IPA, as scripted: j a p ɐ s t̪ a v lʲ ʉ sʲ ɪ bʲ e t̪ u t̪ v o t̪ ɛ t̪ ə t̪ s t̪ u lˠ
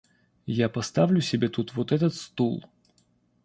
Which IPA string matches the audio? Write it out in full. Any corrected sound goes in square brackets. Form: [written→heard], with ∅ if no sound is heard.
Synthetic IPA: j a p ɐ s t̪ a v lʲ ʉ sʲ ɪ bʲ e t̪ u t̪ v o t̪ ɛ t̪ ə t̪ s t̪ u lˠ